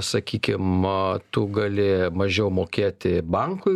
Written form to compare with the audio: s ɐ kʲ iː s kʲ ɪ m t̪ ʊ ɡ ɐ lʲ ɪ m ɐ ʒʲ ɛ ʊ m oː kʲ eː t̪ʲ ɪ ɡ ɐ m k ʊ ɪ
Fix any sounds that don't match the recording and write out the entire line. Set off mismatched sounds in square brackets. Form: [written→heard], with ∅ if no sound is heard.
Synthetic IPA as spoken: s ɐ kʲ iː [s→∅] kʲ ɪ m t̪ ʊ ɡ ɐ lʲ ɪ m ɐ ʒʲ ɛ ʊ m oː kʲ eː t̪ʲ ɪ [ɡ→b] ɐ [m→ŋ] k ʊ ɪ